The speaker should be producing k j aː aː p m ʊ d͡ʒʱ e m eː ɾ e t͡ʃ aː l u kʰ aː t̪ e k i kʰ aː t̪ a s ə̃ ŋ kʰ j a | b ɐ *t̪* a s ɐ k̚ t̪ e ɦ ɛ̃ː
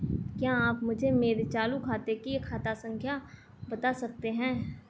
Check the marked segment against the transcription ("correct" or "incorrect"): correct